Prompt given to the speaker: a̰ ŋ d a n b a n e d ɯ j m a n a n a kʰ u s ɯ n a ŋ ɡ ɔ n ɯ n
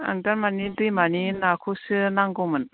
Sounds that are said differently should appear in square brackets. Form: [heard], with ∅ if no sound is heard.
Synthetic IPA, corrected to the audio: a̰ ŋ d a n [m] a n [i] d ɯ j m a n [i] n a kʰ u s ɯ n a ŋ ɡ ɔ [m] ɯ n